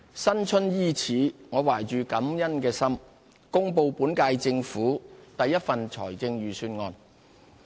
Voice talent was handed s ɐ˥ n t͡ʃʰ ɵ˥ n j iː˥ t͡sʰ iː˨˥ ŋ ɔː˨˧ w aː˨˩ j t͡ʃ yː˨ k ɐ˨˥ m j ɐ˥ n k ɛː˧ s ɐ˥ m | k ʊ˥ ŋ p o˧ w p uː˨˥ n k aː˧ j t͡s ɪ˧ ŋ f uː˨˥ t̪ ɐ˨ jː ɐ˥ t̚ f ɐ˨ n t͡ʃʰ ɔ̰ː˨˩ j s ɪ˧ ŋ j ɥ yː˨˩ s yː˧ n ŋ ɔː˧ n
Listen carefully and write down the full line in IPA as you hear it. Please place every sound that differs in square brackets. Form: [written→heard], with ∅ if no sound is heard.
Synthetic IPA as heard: s ɐ˥ n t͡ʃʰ ɵ˥ n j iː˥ t͡sʰ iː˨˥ ŋ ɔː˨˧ w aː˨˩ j t͡ʃ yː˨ k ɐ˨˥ m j ɐ˥ n k ɛː˧ s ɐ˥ m | k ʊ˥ ŋ p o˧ w p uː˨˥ n k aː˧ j t͡s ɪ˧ ŋ f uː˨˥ t̪ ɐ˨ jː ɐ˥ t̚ f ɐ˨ n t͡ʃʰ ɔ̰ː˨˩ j [s→t͡s] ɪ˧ ŋ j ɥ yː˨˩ s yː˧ n ŋ ɔː˧ n